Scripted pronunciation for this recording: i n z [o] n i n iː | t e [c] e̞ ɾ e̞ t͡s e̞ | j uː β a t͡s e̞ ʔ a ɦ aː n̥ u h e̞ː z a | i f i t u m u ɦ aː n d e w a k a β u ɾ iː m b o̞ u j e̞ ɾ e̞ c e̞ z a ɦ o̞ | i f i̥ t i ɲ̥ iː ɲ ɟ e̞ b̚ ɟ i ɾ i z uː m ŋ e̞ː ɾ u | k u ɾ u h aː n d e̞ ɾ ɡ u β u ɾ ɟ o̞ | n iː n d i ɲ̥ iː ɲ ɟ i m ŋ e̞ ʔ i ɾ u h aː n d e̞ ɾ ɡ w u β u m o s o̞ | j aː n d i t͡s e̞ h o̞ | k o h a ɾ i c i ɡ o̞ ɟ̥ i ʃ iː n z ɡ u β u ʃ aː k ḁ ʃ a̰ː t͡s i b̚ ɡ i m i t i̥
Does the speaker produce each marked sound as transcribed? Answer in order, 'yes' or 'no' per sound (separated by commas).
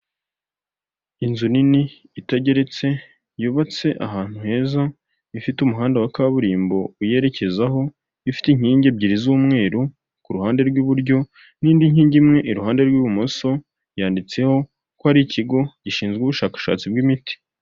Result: no, no